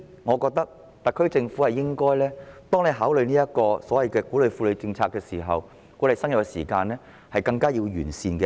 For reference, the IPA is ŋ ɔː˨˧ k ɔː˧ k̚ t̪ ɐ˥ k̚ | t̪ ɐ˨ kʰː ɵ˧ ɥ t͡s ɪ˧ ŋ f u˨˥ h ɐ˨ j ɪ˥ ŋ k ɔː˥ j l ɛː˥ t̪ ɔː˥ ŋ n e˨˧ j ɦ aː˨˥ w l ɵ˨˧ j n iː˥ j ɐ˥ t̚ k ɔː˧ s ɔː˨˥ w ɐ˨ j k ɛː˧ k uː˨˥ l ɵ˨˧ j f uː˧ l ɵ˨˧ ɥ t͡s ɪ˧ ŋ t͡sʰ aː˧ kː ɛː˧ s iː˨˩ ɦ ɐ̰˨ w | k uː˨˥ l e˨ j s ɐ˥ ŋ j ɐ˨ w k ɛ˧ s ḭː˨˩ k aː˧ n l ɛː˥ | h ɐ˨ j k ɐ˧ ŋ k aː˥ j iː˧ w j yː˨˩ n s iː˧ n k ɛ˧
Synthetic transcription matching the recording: ŋ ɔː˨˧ k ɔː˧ k̚ t̪ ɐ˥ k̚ | t̪ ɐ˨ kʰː ɵ˥ ɥ t͡s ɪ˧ ŋ f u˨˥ h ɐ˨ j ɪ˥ ŋ k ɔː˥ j l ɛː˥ t̪ ɔː˥ ŋ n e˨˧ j ɦ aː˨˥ w l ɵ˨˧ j n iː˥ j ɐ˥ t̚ k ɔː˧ s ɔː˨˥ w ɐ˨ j k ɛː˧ k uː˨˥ l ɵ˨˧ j f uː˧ l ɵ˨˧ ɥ t͡s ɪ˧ ŋ t͡sʰ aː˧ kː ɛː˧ s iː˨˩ ɦ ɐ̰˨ w | k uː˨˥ l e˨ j s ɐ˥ ŋ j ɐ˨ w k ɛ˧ s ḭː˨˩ k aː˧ n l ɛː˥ | h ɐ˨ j k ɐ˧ ŋ k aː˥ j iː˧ w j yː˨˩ n s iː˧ n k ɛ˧